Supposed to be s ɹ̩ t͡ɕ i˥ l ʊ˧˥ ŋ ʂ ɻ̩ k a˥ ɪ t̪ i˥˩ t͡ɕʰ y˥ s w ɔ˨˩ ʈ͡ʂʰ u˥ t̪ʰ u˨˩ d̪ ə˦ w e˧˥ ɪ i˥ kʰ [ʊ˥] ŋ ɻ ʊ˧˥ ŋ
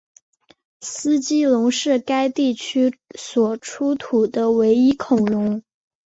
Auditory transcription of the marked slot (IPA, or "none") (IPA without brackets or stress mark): ʊ˨˩